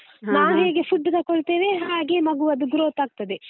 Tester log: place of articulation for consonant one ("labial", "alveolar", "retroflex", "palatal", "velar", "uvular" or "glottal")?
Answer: alveolar